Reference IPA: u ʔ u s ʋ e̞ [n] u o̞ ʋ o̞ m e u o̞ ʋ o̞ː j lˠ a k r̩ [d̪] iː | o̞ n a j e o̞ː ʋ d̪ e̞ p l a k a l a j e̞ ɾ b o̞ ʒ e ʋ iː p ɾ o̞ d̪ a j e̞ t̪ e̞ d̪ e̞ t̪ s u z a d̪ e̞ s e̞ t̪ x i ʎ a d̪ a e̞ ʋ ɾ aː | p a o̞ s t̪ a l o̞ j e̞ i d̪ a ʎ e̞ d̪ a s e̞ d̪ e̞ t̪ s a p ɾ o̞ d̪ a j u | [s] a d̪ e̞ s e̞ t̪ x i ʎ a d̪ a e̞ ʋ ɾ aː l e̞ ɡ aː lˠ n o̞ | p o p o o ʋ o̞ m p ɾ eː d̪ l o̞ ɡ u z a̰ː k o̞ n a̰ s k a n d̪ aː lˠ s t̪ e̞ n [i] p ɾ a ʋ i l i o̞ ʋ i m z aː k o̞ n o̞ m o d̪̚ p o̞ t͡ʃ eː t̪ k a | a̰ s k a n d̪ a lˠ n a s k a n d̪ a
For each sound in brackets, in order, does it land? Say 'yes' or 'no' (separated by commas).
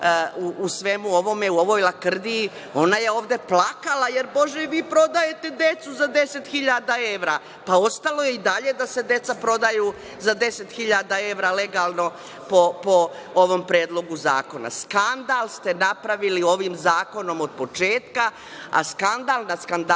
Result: no, yes, no, no